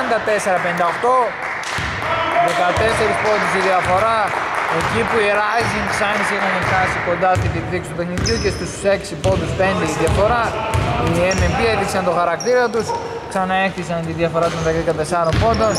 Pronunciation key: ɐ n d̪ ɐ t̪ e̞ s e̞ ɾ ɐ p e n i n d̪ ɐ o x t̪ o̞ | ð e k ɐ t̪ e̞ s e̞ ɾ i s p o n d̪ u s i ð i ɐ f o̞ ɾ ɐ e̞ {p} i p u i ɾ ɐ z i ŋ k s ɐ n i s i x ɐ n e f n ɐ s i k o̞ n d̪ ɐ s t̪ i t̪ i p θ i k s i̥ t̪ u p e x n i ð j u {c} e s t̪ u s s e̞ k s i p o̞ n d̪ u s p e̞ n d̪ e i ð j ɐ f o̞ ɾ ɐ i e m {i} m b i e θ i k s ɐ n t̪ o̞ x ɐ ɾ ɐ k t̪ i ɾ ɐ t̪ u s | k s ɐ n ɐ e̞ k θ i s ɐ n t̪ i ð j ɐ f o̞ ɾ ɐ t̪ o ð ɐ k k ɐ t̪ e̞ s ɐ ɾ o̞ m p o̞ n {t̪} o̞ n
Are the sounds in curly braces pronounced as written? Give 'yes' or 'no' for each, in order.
no, yes, no, no

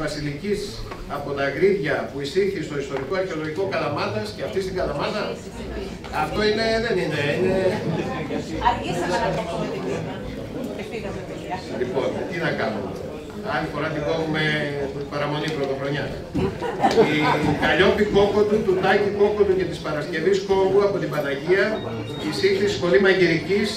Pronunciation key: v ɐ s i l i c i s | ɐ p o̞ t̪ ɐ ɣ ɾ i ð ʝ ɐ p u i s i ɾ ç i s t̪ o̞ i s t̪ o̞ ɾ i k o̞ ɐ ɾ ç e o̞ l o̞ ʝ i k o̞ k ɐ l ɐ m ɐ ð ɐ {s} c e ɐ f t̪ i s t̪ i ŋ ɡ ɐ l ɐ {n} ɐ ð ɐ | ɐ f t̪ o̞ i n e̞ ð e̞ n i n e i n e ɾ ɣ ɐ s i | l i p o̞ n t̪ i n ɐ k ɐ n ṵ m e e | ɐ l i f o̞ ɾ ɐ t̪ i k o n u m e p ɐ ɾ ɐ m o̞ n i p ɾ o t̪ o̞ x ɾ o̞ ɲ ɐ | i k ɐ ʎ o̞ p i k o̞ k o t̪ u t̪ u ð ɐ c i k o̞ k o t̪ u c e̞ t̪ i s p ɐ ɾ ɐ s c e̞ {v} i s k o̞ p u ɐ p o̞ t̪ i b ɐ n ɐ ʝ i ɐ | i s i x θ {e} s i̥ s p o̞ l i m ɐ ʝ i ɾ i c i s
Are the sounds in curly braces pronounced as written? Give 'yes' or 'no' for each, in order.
yes, no, yes, no

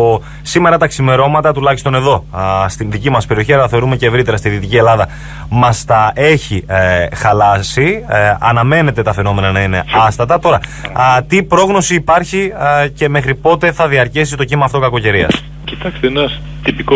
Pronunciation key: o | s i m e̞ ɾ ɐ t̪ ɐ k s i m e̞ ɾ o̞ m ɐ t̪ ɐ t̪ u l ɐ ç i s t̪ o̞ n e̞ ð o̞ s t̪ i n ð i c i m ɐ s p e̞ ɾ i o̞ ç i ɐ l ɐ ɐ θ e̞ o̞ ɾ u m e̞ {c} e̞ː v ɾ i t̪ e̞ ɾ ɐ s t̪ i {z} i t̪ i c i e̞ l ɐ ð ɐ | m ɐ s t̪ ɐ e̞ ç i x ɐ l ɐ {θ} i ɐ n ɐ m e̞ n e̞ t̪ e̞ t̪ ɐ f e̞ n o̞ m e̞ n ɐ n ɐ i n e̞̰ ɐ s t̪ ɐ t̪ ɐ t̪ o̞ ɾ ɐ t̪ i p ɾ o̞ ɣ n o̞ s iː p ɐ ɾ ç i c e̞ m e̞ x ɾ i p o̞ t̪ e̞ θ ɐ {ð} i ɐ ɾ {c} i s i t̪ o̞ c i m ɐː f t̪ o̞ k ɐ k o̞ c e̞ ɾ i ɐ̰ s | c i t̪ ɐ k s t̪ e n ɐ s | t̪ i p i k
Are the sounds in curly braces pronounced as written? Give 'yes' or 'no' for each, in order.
yes, no, no, yes, yes

